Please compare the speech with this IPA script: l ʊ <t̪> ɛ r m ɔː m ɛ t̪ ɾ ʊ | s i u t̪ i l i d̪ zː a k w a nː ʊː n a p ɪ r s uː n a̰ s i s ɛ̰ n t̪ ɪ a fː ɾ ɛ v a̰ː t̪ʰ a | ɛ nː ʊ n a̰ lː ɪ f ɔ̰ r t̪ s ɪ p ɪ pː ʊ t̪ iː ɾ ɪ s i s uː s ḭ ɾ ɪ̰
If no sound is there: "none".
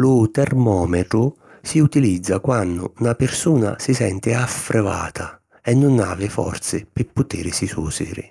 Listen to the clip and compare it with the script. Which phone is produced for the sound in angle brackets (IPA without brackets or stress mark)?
t̪